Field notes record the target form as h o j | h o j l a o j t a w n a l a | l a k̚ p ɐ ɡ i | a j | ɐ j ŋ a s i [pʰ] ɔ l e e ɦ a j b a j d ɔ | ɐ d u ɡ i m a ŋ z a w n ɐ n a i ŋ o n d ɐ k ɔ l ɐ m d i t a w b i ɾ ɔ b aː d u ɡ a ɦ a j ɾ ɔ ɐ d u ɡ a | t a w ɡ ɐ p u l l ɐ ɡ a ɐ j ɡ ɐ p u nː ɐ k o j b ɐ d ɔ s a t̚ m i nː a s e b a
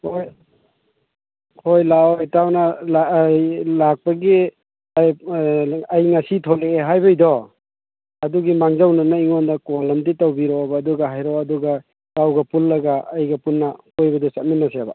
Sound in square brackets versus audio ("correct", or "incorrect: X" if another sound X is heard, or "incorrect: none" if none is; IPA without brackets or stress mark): incorrect: tʰ